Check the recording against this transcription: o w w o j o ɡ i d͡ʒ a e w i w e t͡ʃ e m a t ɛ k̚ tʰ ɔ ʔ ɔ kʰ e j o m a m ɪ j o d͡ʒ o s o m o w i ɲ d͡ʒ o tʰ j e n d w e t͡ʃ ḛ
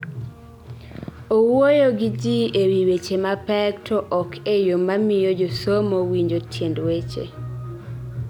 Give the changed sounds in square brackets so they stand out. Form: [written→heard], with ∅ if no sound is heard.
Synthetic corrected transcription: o w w o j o ɡ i d͡ʒ [a→i] e w i w e t͡ʃ e m a [t→p] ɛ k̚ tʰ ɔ ʔ ɔ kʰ e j o m a m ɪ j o d͡ʒ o s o m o w i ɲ d͡ʒ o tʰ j e n d w e t͡ʃ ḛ